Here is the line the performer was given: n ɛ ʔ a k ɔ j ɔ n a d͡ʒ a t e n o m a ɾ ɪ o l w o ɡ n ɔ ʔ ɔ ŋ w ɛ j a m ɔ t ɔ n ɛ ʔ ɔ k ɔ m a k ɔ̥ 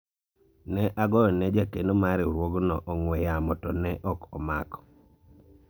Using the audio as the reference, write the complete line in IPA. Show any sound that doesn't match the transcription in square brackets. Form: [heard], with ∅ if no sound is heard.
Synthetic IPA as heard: n ɛ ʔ a [ɡ] ɔ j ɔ n [ɛ] d͡ʒ a [k] e n o m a ɾ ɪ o [ɾ] w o ɡ n ɔ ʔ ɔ ŋ w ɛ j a m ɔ t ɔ n ɛ ʔ ɔ k ɔ m a k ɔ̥